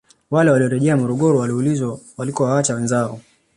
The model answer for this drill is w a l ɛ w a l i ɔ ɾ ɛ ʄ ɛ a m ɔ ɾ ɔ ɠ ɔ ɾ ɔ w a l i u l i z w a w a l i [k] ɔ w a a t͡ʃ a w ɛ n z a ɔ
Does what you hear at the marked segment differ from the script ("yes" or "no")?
no